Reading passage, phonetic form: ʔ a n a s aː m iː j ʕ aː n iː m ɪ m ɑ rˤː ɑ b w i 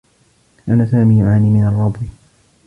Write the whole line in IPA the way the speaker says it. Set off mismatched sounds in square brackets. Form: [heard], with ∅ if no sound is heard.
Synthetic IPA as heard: ʔ a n a s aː m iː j ʕ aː n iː m ɪ [n] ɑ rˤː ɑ b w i